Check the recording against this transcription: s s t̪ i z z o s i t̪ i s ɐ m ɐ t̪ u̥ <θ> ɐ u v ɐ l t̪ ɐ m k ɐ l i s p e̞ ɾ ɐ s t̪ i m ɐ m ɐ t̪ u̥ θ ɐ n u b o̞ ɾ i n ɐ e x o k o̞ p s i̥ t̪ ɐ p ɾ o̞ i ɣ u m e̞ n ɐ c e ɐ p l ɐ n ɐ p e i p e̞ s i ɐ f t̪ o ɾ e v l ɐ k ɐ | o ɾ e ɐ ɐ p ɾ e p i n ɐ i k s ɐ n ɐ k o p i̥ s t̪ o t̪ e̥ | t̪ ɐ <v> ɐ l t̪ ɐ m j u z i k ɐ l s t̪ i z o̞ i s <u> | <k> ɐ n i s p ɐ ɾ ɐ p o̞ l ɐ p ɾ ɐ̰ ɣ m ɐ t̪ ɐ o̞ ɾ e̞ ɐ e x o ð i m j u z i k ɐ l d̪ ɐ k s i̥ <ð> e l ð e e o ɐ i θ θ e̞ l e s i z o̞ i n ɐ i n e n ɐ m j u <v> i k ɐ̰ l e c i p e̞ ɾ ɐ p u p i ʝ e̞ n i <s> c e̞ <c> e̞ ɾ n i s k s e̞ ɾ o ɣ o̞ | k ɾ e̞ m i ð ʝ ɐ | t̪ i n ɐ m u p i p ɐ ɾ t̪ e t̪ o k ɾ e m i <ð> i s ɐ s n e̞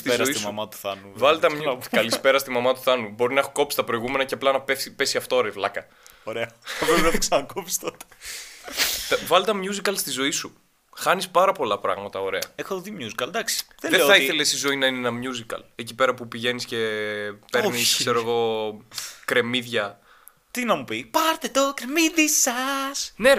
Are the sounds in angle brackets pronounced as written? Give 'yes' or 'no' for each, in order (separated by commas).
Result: yes, yes, yes, no, yes, no, yes, no, yes